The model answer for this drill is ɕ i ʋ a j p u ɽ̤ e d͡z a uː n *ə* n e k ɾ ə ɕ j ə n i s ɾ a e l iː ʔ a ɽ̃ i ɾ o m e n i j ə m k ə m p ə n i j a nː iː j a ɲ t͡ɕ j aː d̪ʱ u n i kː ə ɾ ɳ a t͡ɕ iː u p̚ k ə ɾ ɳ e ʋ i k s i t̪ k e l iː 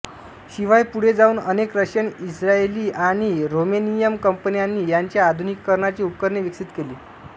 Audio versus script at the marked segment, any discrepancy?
no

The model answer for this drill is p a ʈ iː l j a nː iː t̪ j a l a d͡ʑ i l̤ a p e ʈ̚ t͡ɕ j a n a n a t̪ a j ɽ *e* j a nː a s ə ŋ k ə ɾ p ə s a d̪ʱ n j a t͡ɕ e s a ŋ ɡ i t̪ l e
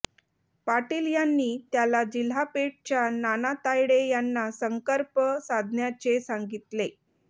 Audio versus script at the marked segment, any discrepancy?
no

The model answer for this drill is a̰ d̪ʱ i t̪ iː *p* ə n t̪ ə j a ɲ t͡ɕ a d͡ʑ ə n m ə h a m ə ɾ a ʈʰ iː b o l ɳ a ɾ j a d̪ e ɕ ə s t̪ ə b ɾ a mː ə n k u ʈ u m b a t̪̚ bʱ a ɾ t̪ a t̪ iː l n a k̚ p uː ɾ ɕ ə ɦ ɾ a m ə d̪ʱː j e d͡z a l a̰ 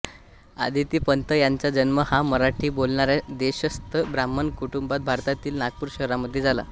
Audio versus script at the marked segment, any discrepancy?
no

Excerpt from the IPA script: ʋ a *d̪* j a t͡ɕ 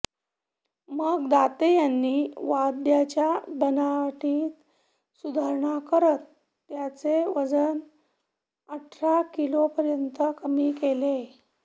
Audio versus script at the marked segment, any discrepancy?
no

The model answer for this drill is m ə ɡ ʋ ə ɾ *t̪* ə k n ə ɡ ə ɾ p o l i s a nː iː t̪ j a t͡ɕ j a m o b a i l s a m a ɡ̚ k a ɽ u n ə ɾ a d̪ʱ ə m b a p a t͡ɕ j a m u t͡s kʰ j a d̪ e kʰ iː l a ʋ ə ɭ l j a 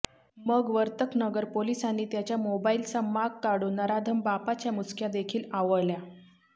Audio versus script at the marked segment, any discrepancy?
no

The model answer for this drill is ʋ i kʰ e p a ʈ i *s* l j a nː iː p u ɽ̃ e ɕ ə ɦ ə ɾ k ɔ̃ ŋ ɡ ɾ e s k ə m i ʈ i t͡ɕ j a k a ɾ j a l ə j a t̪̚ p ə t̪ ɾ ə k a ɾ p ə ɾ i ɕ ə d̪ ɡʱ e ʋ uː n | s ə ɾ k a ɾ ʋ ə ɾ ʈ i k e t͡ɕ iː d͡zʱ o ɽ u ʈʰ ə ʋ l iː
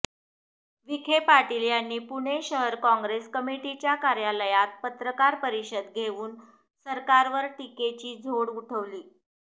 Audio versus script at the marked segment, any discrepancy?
yes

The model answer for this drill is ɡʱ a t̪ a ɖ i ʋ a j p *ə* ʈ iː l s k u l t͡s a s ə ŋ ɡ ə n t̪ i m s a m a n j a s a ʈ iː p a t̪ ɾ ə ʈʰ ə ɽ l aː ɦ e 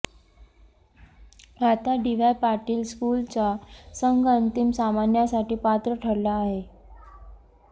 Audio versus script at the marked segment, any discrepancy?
yes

